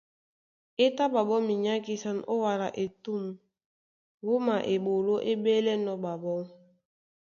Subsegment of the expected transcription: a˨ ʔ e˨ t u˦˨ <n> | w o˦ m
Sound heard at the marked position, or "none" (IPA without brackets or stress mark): m